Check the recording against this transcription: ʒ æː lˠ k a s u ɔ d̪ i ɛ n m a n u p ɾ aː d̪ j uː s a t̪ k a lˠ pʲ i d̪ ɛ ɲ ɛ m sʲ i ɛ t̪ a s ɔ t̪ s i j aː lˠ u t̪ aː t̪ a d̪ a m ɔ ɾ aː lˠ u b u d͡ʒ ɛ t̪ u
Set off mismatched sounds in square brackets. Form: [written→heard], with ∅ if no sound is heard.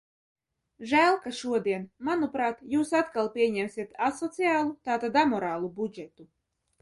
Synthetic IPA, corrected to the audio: ʒ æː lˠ k a [s→ʃ] u ɔ d̪ i ɛ n m a n u p ɾ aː [d̪→t̪] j uː s a t̪ k a lˠ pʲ i [d̪→∅] ɛ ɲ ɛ m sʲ i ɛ t̪ a s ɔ t̪ s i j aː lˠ u t̪ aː t̪ a d̪ a m ɔ ɾ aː lˠ u b u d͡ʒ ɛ t̪ u